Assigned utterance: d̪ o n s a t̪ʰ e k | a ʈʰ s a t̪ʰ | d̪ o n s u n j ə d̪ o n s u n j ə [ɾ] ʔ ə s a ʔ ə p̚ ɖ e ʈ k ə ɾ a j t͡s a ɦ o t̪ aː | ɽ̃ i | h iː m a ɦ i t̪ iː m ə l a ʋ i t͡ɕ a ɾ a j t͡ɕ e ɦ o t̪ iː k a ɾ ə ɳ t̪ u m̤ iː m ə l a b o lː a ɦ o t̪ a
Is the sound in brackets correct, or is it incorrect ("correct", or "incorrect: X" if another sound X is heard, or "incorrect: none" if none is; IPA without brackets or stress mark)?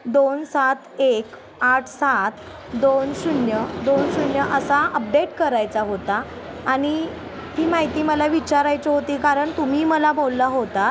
incorrect: none